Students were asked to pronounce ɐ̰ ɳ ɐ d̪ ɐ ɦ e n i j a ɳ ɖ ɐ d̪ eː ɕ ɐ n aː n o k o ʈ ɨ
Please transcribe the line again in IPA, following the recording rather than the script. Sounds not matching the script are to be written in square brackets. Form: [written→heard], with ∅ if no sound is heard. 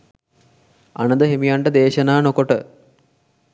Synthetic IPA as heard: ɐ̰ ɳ ɐ d̪ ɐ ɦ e [n→m] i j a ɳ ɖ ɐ d̪ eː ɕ ɐ n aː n o k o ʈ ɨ